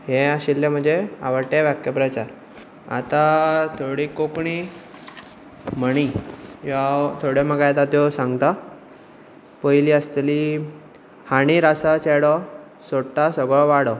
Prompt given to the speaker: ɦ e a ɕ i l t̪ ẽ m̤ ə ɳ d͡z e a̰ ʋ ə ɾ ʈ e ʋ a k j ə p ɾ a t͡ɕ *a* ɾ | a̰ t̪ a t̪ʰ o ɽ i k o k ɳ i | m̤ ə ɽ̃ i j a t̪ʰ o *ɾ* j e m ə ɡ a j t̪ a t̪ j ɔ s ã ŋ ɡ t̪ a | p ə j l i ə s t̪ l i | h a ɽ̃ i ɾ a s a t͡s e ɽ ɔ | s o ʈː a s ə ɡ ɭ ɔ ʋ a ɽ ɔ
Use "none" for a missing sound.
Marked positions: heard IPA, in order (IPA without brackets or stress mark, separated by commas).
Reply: a, ɽ